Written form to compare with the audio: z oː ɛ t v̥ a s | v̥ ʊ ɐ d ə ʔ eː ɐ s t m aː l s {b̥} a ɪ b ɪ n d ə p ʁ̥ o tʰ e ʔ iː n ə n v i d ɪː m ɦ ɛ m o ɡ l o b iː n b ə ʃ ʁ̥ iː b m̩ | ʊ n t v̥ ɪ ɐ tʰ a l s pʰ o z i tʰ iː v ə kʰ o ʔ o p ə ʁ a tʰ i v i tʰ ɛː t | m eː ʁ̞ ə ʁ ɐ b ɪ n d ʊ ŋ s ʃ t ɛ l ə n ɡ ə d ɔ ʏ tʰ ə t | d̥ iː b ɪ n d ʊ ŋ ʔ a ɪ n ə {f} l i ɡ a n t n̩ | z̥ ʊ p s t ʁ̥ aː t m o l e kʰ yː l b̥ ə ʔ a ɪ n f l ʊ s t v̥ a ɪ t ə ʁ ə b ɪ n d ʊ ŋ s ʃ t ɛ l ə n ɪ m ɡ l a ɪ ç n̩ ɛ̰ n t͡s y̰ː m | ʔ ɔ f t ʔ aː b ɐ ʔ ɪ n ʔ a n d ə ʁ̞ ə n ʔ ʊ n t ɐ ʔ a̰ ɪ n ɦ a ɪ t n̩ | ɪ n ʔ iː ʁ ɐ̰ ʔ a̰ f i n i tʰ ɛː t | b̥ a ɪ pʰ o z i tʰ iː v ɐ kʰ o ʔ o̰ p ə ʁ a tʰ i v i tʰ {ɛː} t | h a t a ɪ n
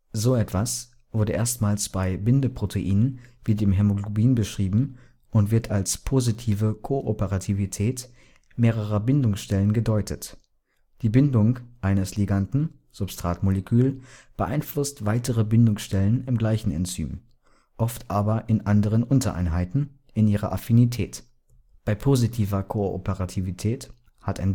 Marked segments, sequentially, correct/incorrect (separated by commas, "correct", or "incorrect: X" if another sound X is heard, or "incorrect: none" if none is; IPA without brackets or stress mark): correct, incorrect: s, correct